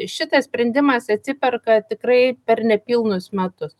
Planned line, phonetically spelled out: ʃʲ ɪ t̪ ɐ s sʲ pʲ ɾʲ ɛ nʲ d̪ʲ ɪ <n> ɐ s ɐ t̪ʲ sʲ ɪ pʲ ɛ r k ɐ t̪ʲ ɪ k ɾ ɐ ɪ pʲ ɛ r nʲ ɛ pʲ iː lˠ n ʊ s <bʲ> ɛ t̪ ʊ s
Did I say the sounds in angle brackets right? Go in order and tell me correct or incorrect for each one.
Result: incorrect, incorrect

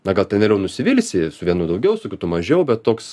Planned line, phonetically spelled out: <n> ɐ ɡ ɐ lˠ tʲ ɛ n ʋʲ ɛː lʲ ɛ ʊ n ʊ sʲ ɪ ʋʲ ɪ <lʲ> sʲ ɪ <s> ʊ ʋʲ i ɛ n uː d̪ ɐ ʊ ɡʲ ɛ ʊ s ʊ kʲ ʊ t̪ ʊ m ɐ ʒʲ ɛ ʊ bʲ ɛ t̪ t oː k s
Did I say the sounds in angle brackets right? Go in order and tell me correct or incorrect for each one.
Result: correct, correct, correct

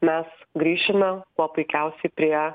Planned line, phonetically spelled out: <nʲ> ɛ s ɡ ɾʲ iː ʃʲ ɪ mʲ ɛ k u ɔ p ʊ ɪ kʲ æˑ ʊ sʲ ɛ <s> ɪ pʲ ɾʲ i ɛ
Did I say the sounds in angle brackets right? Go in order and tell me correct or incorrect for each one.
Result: incorrect, incorrect

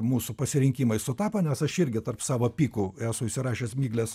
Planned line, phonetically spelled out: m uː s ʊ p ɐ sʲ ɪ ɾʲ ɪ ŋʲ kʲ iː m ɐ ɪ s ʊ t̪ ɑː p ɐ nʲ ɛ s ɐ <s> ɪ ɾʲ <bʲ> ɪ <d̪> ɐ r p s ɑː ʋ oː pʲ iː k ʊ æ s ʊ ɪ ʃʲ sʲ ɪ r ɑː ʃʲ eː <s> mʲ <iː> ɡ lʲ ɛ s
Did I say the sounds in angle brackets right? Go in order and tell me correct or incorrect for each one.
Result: incorrect, incorrect, incorrect, correct, correct

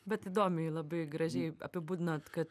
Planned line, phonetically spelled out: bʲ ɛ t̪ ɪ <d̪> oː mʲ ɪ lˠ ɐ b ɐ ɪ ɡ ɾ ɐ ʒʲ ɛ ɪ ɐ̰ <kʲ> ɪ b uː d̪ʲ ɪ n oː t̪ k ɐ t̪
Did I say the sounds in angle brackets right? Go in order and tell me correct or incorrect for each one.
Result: correct, incorrect

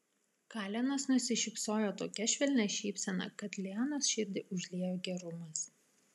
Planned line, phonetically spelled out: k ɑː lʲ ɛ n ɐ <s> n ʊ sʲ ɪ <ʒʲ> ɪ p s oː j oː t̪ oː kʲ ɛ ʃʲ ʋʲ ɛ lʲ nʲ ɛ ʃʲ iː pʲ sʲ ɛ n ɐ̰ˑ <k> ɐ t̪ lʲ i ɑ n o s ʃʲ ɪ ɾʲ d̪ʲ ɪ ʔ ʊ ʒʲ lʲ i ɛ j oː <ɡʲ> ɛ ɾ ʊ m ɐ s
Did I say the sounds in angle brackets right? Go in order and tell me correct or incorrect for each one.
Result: correct, incorrect, correct, correct

